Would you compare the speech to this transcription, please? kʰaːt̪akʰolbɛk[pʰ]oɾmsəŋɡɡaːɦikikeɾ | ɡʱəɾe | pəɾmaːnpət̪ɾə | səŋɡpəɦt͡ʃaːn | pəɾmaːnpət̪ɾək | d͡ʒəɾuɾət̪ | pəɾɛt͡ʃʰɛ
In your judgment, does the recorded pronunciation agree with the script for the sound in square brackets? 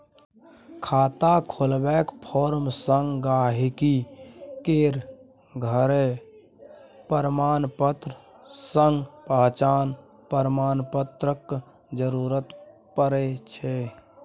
yes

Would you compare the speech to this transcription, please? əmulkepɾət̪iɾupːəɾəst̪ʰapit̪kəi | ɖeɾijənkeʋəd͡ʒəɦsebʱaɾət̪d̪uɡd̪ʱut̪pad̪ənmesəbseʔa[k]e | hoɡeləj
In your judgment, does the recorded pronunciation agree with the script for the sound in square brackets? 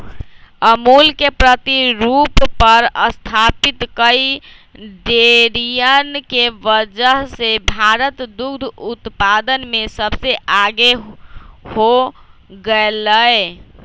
no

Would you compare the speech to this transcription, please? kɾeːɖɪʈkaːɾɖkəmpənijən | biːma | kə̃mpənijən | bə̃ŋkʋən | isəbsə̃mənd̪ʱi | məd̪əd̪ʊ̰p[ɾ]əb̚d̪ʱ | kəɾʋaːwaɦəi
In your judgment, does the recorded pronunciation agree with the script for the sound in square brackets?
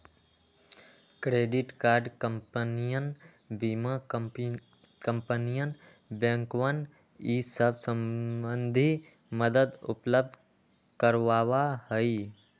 no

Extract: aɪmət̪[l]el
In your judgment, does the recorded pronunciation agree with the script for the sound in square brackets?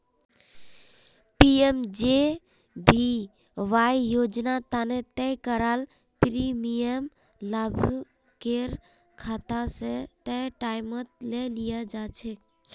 yes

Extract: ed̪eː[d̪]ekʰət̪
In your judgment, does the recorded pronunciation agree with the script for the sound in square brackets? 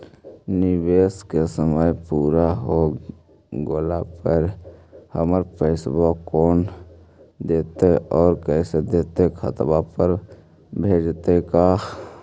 no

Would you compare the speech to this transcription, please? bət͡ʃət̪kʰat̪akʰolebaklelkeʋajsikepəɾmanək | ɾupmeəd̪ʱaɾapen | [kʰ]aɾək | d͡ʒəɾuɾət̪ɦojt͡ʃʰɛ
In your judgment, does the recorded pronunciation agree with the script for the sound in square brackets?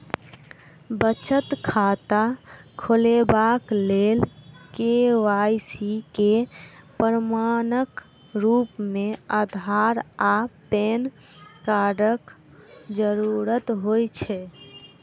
no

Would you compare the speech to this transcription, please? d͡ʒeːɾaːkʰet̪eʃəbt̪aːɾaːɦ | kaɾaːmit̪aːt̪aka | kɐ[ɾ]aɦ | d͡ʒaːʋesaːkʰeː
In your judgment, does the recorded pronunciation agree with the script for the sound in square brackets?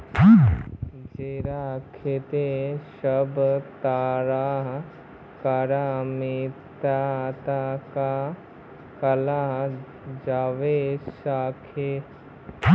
no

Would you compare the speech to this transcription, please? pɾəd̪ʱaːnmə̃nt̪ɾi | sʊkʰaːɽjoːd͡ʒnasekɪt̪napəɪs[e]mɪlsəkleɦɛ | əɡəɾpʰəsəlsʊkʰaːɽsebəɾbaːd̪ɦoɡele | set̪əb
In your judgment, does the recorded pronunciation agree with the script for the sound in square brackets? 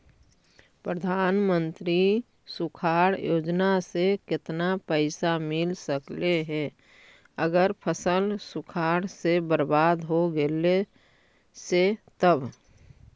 no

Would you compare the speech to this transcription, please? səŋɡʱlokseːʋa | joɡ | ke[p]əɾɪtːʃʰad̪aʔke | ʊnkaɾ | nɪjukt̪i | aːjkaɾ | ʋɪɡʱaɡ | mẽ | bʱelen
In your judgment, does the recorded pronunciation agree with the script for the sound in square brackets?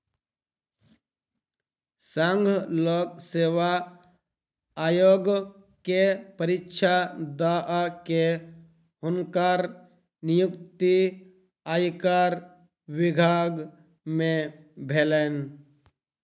yes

